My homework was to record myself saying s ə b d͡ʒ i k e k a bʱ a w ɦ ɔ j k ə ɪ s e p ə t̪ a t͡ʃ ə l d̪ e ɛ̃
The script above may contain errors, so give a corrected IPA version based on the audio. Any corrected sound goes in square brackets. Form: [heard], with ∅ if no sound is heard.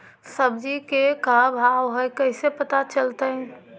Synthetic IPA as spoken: s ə b d͡ʒ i k e k a bʱ a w ɦ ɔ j k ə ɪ s e p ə t̪ a t͡ʃ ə l [t̪] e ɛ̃